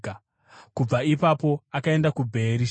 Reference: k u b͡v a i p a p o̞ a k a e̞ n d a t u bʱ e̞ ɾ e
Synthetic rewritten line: k u b͡v a i p a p o̞ a k a e̞ n d a k u bʱ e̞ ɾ i